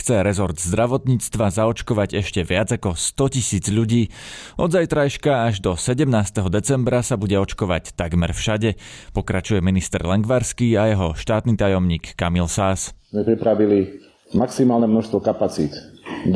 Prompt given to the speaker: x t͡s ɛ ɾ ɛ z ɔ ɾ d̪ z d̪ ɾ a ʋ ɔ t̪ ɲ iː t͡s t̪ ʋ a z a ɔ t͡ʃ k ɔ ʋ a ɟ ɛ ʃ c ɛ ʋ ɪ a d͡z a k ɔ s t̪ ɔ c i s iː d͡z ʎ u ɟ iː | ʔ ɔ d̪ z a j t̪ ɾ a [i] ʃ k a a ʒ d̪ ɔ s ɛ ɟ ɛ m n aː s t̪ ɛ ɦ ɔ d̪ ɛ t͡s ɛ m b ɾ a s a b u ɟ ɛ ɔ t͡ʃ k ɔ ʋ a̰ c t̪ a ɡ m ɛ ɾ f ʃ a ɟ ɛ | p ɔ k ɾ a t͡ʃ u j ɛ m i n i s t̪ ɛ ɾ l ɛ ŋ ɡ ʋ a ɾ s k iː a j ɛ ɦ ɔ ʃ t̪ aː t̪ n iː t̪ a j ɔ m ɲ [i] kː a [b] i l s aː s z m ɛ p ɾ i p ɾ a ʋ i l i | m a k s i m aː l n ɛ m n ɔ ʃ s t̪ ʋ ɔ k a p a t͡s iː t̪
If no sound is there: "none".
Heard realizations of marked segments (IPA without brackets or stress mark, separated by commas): j, iː, m